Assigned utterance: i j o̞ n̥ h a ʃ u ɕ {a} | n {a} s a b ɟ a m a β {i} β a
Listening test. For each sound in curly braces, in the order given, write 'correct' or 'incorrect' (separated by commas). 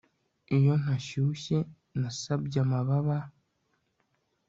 incorrect, correct, incorrect